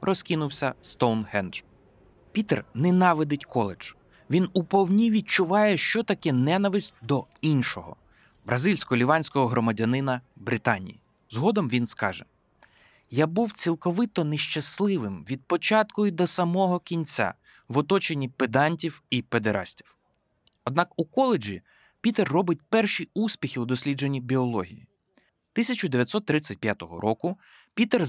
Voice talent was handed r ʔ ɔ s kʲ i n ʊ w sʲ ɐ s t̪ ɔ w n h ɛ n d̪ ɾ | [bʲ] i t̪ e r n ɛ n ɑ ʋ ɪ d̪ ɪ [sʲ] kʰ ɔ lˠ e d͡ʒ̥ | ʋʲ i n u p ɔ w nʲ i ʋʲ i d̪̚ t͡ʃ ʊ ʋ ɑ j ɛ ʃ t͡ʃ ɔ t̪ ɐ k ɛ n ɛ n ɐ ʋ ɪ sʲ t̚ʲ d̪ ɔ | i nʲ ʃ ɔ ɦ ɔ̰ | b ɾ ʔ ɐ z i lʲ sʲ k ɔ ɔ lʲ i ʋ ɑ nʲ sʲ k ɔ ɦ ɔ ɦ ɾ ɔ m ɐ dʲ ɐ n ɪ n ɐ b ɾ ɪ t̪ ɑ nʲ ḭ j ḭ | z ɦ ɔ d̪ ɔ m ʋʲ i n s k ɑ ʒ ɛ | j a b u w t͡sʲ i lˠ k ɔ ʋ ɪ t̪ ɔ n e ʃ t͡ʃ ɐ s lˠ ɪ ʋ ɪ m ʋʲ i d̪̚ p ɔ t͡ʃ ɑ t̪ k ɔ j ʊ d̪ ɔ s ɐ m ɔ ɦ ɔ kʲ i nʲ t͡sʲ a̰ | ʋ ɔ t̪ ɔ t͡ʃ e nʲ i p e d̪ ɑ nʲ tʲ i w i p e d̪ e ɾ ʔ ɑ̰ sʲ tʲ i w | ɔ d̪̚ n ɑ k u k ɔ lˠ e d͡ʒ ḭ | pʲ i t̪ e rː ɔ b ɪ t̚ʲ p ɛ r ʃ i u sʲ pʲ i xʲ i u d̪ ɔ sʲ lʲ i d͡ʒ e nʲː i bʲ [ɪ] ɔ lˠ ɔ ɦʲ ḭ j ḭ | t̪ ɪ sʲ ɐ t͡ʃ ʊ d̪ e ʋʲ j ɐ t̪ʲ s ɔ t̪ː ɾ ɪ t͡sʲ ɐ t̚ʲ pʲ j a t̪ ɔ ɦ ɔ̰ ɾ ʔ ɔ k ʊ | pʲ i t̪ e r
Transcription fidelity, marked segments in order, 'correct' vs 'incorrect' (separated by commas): incorrect, incorrect, incorrect